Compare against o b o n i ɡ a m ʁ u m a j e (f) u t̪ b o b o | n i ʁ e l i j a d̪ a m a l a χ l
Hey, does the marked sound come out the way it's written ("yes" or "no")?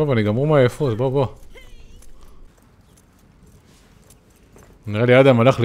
yes